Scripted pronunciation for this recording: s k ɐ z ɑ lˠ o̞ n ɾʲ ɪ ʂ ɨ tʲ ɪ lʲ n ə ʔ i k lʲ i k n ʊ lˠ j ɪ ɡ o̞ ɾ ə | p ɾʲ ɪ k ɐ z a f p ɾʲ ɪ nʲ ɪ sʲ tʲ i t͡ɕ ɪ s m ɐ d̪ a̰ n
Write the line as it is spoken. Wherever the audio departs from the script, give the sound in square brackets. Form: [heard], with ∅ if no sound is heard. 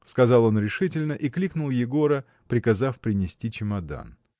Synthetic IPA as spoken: s k ɐ z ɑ lˠ o̞ n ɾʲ ɪ ʂ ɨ tʲ ɪ lʲ n ə ʔ i k lʲ i k n ʊ lˠ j ɪ ɡ o̞ ɾ ə | p ɾʲ ɪ k ɐ z a f p ɾʲ ɪ nʲ ɪ sʲ tʲ i t͡ɕ ɪ [∅] m ɐ d̪ a̰ n